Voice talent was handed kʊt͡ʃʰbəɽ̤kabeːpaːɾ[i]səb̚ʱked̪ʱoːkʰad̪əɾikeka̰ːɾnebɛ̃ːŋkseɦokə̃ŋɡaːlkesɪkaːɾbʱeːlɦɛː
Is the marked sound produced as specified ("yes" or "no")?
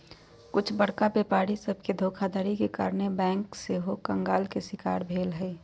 yes